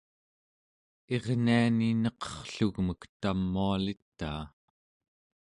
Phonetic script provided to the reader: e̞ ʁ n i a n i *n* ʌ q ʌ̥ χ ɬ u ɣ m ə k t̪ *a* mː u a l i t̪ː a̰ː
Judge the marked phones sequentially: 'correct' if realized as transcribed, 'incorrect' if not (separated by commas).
correct, correct